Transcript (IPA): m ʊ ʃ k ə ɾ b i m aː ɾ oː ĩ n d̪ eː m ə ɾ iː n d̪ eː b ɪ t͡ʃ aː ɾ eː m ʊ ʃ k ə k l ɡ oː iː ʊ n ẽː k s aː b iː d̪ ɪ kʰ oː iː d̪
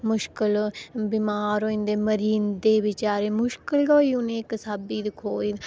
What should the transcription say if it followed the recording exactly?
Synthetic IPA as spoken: m ʊ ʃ k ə l b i m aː ɾ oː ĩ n d̪ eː m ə ɾ iː n d̪ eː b ɪ t͡ʃ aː ɾ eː m ʊ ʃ k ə l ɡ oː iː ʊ n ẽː k s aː b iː d̪ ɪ kʰ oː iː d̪